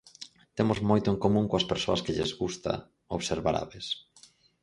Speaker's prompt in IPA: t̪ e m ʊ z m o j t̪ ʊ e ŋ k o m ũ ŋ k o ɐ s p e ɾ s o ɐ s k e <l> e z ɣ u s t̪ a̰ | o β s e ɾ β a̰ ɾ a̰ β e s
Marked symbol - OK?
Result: no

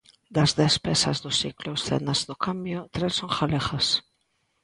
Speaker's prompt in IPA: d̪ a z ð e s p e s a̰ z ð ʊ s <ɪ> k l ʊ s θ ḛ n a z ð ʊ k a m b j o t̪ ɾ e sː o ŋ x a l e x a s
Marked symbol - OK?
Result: no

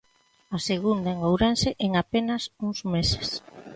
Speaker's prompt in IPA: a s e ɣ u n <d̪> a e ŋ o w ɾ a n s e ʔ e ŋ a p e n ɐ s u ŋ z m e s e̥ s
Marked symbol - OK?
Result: yes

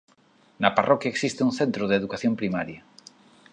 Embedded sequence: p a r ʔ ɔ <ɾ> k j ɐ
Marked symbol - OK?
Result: no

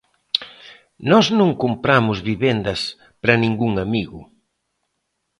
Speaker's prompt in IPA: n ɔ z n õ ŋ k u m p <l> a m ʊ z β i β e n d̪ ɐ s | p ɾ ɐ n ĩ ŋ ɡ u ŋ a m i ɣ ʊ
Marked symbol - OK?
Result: no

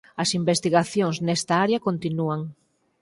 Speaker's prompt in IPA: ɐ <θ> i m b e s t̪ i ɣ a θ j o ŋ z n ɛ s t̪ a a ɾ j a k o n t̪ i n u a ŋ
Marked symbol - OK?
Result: no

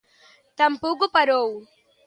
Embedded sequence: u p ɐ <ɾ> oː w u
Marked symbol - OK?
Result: yes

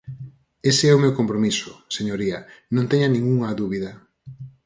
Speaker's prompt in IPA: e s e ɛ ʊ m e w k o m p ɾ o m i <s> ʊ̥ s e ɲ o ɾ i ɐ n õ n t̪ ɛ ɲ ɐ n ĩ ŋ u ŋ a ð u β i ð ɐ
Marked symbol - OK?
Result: yes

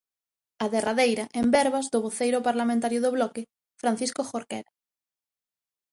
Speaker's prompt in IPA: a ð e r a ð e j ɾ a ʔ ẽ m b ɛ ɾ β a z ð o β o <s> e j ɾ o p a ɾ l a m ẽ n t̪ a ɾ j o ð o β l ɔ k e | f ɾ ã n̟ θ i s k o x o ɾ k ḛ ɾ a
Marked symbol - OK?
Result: no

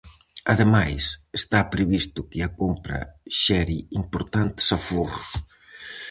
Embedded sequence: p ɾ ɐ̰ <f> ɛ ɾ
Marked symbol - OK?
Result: no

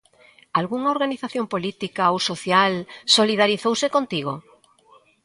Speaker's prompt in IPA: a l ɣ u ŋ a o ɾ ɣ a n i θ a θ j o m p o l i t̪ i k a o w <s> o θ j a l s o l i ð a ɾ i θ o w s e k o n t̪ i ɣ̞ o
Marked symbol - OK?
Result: yes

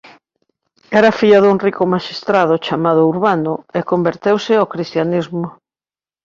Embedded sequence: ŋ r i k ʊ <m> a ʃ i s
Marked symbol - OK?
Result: yes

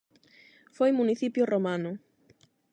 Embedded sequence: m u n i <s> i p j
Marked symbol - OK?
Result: no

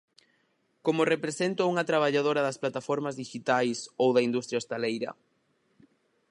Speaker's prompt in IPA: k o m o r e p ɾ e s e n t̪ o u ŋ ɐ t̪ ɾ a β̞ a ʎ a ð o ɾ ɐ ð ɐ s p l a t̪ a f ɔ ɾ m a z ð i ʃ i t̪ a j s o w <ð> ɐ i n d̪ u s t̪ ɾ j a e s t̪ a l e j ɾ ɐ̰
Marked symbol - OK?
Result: yes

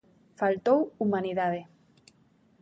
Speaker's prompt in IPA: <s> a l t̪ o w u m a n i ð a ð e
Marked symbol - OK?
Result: no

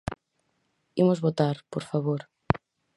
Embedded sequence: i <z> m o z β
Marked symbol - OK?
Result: no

